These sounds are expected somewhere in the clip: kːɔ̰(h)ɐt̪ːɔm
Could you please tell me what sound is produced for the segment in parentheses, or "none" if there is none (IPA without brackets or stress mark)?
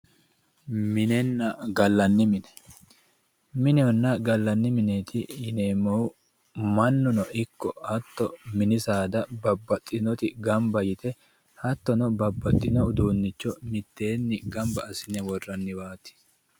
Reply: h